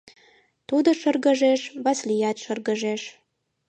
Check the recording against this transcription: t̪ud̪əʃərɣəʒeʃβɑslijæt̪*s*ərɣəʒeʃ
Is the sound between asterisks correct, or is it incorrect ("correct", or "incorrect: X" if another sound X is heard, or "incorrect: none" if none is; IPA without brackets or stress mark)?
incorrect: ʃ